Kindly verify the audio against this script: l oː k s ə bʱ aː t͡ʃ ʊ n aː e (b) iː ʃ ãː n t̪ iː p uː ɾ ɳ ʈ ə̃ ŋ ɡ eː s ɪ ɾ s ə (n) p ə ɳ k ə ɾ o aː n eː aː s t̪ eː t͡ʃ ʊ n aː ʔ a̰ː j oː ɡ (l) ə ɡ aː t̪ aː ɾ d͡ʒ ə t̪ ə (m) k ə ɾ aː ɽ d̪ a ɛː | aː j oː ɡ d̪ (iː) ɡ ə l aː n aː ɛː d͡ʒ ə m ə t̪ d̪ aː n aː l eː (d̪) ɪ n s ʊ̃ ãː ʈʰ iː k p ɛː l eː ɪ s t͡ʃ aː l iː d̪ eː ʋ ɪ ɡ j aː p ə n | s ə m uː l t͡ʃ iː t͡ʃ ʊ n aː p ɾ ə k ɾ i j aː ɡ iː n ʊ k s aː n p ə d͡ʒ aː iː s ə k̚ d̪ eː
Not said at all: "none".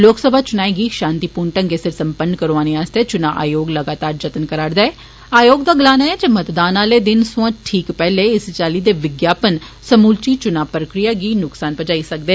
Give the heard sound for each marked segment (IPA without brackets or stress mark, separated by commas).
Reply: ɡ, m, l, n, aː, d̪